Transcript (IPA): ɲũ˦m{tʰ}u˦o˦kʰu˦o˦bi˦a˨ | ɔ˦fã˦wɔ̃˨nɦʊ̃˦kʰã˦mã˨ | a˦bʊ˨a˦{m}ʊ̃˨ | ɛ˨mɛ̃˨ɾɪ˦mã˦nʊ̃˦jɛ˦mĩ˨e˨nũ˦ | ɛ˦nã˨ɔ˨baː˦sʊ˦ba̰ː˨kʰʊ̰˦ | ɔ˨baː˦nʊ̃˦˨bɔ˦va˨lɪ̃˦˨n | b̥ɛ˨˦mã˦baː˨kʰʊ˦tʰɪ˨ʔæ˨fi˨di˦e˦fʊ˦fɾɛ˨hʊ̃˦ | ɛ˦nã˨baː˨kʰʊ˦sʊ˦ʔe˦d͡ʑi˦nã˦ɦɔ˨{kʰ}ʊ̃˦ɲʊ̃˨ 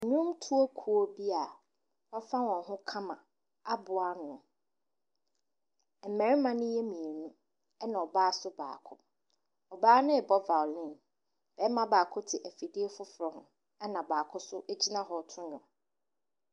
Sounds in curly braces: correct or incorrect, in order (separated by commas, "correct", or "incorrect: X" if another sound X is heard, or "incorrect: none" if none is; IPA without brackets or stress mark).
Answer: correct, incorrect: n, incorrect: tʰ